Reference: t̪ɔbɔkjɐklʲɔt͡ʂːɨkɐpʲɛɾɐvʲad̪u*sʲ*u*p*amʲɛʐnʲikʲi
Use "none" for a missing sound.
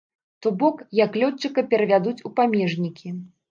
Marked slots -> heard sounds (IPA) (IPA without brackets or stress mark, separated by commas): t͡sʲ, p